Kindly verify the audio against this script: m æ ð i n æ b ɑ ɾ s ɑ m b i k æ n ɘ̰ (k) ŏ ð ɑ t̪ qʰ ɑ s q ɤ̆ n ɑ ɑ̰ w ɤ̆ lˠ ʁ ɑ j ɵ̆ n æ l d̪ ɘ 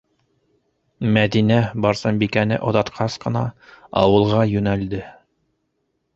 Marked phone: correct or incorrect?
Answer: incorrect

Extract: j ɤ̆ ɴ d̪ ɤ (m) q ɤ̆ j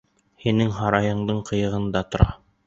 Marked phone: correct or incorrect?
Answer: incorrect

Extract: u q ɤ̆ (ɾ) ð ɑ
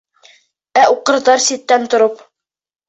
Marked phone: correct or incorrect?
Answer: correct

